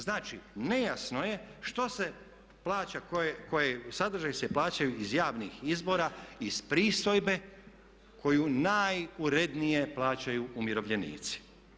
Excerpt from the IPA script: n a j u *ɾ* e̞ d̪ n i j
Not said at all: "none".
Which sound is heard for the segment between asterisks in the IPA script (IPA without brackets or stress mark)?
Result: ɾ